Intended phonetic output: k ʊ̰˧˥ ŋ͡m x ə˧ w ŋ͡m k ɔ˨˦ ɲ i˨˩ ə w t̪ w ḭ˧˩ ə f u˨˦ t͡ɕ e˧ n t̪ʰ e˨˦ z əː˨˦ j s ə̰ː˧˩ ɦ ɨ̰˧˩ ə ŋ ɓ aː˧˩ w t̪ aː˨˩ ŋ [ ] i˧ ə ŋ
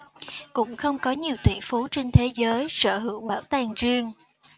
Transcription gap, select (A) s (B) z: B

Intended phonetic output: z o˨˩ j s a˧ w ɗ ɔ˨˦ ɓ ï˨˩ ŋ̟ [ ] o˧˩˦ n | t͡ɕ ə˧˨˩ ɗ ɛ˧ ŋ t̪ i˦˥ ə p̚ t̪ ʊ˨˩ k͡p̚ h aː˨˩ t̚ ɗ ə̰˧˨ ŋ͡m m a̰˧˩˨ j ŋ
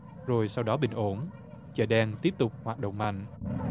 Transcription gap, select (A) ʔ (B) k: A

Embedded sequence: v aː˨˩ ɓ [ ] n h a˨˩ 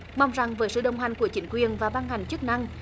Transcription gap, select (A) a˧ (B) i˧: A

